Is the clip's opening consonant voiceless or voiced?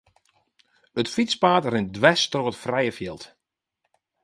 voiceless